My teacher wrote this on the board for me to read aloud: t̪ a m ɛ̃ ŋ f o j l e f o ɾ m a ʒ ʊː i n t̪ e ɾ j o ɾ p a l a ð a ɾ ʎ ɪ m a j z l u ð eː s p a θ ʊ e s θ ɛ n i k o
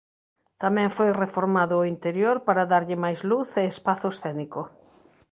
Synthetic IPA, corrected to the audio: t̪ a m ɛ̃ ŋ f o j r e f o ɾ m a ð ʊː i n t̪ e ɾ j o ɾ p a ɾ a ð a ɾ ʎ ɪ m a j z l u θ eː s p a θ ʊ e s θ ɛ n i k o